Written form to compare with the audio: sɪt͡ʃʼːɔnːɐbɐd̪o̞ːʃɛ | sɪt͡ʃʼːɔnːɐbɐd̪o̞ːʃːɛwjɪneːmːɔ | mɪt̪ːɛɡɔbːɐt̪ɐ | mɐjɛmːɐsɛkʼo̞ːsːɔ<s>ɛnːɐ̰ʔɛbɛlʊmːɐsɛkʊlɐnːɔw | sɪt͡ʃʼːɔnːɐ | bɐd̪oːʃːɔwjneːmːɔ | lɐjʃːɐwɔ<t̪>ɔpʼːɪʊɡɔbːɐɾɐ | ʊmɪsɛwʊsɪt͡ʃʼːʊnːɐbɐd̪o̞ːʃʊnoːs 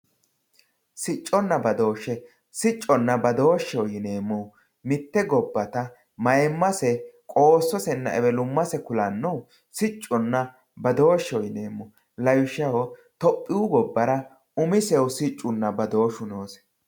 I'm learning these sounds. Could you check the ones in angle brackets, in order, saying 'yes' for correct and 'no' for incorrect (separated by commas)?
yes, yes